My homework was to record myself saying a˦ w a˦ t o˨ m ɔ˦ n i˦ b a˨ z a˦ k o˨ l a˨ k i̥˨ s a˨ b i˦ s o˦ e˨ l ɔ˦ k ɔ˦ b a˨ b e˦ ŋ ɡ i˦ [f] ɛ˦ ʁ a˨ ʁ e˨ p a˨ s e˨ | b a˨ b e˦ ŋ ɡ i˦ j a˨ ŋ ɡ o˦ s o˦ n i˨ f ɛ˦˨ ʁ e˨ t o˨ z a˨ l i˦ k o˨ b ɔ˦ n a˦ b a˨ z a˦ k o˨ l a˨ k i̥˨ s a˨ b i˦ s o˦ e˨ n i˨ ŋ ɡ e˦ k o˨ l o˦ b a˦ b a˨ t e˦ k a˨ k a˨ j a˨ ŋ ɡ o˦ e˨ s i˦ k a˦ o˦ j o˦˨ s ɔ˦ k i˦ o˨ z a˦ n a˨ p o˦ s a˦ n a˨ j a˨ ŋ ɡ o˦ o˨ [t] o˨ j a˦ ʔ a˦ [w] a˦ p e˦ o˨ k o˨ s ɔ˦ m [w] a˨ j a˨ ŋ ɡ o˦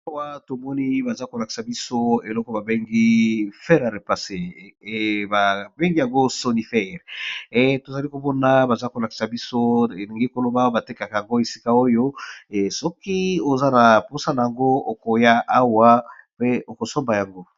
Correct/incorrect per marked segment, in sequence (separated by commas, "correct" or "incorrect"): correct, incorrect, correct, incorrect